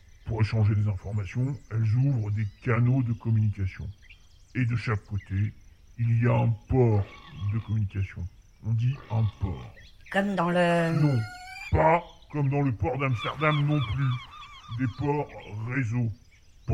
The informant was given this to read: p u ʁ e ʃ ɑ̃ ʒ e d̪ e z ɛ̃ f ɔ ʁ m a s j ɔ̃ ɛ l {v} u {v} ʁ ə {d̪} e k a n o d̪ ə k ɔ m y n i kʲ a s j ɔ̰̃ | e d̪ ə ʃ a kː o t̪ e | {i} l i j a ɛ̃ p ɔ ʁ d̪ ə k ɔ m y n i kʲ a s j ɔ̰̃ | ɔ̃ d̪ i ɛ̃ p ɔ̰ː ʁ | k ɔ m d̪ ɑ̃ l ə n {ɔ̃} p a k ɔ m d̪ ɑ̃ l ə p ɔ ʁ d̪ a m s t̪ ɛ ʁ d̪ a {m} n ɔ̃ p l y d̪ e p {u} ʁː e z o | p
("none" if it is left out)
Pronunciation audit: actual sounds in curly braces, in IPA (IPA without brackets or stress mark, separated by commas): z, v, d̪, i, ɔ̃, m, ɔ